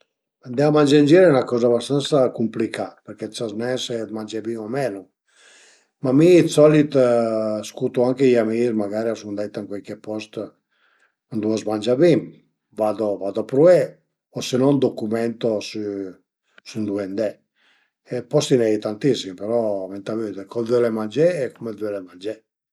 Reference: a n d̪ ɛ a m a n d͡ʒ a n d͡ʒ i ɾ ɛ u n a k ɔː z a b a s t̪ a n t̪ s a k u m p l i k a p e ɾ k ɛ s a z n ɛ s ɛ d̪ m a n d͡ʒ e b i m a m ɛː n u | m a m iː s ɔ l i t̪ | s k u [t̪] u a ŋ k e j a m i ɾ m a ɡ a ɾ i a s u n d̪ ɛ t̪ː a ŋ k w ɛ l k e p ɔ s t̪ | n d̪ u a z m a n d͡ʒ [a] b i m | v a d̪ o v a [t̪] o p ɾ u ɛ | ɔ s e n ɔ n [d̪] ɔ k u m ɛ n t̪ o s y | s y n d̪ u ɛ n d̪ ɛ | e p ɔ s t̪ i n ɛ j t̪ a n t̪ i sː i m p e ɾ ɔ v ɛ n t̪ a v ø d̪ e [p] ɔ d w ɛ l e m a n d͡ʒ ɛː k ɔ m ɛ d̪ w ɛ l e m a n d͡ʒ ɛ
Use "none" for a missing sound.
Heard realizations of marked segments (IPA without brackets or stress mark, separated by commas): t̪, a, d̪, d̪, k